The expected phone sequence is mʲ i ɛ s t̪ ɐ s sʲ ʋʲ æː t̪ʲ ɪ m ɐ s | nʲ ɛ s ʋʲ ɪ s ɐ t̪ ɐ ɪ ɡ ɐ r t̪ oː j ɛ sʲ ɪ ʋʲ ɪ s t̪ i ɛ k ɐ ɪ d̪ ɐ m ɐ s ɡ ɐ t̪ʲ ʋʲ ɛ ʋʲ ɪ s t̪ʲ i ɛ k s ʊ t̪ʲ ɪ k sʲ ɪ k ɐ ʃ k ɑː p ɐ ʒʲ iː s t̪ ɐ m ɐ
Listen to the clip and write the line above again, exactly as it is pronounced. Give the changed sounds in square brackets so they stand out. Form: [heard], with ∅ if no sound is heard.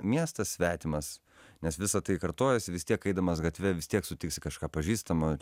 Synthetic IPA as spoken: mʲ i ɛ s t̪ ɐ s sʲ ʋʲ æː t̪ʲ ɪ m ɐ s | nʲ ɛ s ʋʲ ɪ s ɐ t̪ ɐ ɪ [k] ɐ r t̪ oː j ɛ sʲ ɪ ʋʲ ɪ s t̪ i ɛ k ɐ ɪ d̪ ɐ m ɐ s ɡ ɐ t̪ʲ ʋʲ ɛ ʋʲ ɪ s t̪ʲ i ɛ k s ʊ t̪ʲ ɪ k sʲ ɪ k ɐ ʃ k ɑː p ɐ ʒʲ iː s t̪ ɐ m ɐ